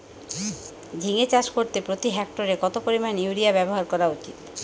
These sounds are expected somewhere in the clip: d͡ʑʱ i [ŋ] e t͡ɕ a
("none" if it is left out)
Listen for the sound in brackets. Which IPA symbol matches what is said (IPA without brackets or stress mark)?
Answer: ŋ